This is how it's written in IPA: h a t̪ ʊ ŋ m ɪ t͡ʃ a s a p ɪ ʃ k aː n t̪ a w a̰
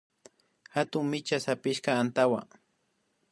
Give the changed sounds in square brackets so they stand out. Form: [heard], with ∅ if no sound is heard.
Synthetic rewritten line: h a t̪ ʊ ŋ m ɪ t͡ʃ a s a p ɪ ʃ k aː n t̪ a w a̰